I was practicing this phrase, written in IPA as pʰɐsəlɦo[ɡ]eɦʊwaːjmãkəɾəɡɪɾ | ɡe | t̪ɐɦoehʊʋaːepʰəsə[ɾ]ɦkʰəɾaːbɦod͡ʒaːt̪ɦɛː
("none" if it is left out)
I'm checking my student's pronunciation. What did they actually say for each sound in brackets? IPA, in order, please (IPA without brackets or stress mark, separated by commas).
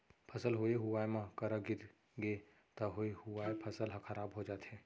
none, l